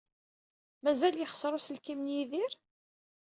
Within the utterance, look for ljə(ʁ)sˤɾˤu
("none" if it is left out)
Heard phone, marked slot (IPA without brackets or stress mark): χ